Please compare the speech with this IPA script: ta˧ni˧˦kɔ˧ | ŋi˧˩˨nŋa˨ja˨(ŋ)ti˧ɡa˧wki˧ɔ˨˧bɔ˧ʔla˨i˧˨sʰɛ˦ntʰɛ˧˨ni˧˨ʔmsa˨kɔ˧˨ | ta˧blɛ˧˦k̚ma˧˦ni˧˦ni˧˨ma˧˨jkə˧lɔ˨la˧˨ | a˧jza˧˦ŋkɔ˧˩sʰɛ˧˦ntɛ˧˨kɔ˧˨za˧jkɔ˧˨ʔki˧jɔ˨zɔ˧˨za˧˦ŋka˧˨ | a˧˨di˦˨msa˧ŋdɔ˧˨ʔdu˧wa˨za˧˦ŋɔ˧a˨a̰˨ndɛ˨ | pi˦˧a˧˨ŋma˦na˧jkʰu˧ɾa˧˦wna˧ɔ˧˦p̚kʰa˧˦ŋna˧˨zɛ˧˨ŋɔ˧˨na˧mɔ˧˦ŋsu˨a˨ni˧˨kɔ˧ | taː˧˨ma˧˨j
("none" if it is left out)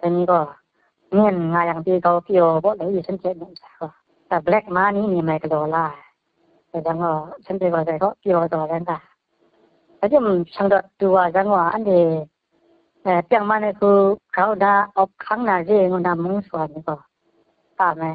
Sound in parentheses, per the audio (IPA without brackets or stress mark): ŋ